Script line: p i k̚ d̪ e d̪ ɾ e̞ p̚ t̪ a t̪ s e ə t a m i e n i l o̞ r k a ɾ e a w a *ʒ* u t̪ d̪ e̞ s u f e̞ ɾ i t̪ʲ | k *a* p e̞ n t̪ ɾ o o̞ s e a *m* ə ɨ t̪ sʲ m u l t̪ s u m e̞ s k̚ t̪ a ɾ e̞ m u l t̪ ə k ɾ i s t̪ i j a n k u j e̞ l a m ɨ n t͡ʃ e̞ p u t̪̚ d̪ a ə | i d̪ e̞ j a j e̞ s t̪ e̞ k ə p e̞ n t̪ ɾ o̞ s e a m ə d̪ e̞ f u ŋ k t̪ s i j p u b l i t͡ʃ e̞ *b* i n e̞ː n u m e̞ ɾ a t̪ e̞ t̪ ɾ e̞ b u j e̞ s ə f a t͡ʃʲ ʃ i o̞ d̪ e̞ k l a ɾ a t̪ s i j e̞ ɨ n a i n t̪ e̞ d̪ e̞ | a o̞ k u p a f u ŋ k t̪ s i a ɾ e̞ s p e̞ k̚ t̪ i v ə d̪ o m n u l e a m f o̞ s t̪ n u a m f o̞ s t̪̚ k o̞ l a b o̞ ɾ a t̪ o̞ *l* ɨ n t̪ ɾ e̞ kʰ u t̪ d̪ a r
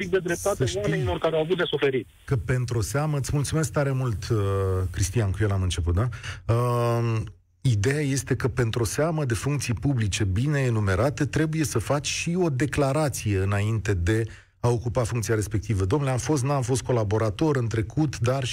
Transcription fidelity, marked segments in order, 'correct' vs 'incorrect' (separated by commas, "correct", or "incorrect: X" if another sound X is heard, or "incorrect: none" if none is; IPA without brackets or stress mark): incorrect: v, incorrect: ə, correct, correct, incorrect: ɾ